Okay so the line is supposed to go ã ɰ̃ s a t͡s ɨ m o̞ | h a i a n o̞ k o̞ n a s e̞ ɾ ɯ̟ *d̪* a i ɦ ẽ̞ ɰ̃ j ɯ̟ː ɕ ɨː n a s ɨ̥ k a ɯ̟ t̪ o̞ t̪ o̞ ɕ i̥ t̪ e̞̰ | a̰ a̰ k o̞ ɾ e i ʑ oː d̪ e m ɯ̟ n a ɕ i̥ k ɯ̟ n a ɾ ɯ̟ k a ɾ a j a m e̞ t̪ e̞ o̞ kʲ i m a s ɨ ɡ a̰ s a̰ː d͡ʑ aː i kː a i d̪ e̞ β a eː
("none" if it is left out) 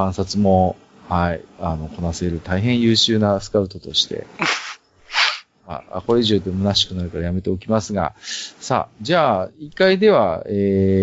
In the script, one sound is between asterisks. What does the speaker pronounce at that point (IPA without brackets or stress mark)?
t̪